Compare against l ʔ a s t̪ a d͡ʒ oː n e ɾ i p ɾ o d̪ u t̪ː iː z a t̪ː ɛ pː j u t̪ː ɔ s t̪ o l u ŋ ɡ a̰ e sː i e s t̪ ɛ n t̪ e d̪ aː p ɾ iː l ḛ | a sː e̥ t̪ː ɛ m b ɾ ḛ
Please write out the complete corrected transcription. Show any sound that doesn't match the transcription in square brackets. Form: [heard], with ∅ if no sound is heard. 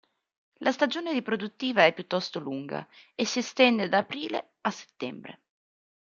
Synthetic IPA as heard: l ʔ a s t̪ a d͡ʒ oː n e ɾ i p ɾ o d̪ u t̪ː iː [v] a [∅] ɛ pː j u t̪ː ɔ s t̪ o l u ŋ ɡ a̰ e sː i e s t̪ ɛ n [d̪] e d̪ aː p ɾ iː l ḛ | a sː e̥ t̪ː ɛ m b ɾ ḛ